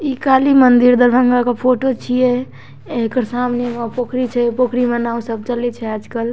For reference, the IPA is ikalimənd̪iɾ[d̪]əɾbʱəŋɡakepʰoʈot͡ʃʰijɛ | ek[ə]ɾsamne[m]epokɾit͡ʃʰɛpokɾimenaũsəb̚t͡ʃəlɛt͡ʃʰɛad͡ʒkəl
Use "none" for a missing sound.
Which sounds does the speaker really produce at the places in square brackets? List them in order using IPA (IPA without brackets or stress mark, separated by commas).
d̪, ə, m